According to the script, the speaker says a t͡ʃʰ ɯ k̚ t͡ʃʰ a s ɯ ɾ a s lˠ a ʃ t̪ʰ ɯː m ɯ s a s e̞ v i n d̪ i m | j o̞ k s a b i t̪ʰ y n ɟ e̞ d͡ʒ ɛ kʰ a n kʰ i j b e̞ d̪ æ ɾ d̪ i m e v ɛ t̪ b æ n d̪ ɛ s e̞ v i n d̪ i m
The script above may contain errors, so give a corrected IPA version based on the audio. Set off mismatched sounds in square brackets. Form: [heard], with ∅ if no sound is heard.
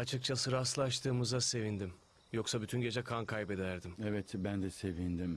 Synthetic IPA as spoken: a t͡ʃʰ ɯ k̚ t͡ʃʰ a s ɯ ɾ a s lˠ a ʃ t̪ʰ ɯː m ɯ [z] a s e̞ v i n d̪ i m | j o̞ k s a b [y] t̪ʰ y n ɟ e̞ d͡ʒ ɛ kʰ a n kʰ [a] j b e̞ d̪ æ ɾ d̪ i m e v ɛ t̪ b æ n d̪ ɛ s e̞ v i n d̪ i m